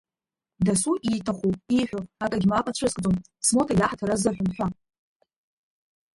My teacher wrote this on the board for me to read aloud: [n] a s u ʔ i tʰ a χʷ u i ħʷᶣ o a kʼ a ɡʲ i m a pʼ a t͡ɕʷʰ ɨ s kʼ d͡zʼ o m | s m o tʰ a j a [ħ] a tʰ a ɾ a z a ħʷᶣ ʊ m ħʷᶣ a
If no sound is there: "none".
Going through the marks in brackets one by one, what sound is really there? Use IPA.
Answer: d, ħ

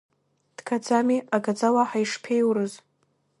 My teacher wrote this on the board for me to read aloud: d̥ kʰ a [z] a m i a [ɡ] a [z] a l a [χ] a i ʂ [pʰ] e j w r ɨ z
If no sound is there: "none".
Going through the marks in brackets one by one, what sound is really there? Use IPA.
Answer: d͡z, ɡ, d͡z, ħ, pʰ

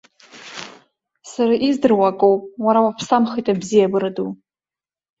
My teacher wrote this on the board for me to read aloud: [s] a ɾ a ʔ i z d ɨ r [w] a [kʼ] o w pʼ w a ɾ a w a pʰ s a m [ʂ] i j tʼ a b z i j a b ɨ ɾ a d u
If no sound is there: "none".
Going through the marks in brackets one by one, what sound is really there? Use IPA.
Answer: s, w, kʼ, χ

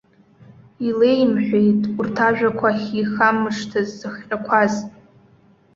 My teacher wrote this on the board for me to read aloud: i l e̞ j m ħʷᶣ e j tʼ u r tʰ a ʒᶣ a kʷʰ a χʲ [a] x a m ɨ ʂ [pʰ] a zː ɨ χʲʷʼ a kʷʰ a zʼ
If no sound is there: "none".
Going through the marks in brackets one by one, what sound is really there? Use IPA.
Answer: i, tʰ

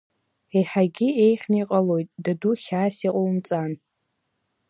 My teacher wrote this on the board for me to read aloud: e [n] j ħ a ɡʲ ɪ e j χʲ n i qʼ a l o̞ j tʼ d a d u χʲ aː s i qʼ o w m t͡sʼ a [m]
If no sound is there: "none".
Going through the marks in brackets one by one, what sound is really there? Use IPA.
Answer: none, n

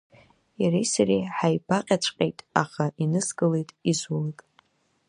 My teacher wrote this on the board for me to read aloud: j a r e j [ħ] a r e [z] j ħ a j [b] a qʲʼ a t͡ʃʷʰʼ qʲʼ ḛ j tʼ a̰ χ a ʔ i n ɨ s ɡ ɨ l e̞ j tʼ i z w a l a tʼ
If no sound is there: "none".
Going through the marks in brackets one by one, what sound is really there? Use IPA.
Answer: s, none, b

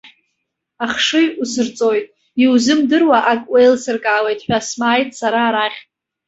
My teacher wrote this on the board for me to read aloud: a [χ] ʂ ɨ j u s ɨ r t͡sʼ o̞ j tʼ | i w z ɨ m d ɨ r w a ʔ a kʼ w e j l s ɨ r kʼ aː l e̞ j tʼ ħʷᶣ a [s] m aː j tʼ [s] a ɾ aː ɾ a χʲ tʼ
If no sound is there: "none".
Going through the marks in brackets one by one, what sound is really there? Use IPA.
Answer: χ, s, s

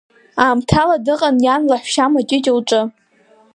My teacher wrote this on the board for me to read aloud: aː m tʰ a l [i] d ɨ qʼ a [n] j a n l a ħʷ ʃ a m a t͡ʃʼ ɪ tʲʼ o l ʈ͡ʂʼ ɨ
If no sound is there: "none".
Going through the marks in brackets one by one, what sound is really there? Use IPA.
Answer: a, n

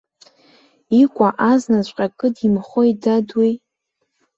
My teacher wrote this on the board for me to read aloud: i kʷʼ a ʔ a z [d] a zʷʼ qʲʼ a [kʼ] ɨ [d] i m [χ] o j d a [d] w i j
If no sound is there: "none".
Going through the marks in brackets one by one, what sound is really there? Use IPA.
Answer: n, kʼ, d, χ, d

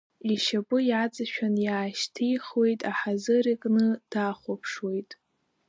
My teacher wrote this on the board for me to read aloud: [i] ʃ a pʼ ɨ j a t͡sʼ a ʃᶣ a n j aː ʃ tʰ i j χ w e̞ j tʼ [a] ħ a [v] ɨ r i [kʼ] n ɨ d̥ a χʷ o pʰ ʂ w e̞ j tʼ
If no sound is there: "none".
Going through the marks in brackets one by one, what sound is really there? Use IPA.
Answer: i, a, z, kʼ

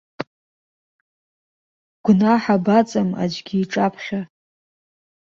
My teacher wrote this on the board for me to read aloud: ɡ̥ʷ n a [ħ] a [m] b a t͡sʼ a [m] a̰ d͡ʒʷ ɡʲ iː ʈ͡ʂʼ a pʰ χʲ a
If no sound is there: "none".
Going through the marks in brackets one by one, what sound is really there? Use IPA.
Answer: ħ, none, m

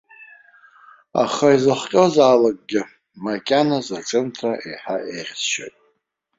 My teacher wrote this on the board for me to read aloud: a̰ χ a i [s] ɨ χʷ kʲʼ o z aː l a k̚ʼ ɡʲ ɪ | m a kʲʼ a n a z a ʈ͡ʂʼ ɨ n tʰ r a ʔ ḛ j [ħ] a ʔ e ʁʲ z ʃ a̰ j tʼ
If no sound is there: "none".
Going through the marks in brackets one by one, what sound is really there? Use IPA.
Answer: z, ħ

